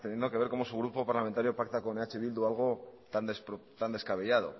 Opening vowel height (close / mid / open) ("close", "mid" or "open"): mid